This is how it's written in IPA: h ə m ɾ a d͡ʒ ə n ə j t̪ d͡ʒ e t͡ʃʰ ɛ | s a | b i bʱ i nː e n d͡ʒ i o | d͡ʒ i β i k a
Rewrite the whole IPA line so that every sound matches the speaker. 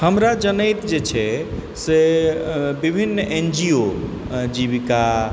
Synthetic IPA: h ə m ɾ a d͡ʒ ə n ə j t̪ d͡ʒ e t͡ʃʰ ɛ | s e | b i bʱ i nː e n d͡ʒ i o | d͡ʒ i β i k a